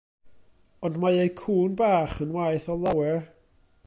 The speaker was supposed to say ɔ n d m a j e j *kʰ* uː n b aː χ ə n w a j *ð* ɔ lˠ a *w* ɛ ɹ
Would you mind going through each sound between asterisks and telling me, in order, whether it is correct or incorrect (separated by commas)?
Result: correct, incorrect, correct